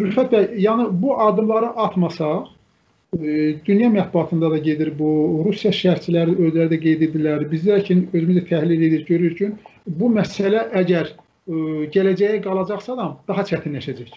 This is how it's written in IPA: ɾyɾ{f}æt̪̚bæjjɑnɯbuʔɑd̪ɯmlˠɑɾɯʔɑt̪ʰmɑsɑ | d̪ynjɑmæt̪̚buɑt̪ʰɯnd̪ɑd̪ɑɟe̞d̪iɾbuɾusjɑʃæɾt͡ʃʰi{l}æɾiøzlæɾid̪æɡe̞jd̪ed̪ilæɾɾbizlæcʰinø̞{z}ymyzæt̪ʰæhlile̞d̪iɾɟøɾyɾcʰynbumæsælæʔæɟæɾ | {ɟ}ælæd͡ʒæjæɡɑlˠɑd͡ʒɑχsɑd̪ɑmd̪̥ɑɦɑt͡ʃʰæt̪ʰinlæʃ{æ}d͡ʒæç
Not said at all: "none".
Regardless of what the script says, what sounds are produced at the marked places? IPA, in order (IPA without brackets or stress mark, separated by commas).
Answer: f, l, z, ɟ, æ